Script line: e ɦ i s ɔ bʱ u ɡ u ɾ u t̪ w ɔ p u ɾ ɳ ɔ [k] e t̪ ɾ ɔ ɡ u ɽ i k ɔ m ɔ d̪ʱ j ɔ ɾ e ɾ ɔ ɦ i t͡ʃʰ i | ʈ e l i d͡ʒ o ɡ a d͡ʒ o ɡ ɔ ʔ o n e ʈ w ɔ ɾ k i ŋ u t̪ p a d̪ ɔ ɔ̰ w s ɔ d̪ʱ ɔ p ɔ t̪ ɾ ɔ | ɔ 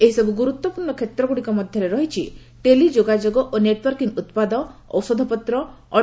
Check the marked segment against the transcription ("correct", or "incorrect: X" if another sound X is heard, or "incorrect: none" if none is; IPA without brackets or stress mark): incorrect: kʰ